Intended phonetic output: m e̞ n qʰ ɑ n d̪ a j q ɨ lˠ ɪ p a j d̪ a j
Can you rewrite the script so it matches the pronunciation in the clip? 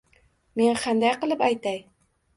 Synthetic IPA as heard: m e̞ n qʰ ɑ n d̪ a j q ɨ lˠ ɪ p a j t̪ a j